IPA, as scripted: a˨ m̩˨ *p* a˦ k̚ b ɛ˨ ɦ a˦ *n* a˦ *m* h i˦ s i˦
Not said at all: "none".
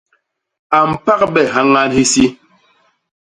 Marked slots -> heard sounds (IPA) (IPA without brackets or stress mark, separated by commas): p, ŋ, n